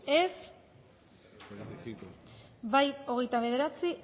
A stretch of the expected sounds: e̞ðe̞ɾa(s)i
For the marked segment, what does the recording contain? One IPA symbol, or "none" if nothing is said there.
t͡s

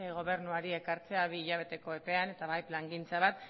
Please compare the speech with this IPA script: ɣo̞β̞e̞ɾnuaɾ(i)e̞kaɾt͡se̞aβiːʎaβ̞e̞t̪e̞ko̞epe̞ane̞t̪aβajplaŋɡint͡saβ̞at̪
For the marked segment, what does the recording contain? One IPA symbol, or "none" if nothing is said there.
i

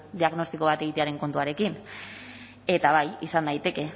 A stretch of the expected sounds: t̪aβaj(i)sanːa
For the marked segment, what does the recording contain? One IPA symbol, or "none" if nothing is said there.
i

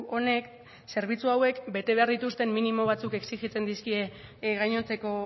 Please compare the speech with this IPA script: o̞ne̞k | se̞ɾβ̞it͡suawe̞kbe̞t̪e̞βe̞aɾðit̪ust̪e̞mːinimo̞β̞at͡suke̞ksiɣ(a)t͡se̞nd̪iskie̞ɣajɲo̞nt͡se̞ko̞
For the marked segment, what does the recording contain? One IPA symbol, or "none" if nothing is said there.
i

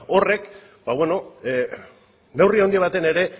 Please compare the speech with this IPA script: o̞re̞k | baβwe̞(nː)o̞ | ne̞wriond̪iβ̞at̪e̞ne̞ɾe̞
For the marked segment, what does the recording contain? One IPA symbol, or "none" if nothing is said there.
n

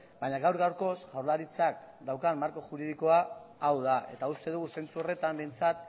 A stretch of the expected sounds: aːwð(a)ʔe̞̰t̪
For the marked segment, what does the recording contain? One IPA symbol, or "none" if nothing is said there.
a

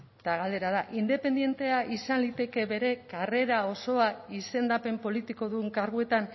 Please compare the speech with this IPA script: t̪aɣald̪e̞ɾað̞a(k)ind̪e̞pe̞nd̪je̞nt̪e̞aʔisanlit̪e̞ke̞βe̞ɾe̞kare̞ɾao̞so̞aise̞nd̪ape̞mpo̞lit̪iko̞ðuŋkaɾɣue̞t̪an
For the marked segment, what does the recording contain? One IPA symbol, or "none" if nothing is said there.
ʔ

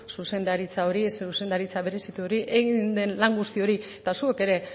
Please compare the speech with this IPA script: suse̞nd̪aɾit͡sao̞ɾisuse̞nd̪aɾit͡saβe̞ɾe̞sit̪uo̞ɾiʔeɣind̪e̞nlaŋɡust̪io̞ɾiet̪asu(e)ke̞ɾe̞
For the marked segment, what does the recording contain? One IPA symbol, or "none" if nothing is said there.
e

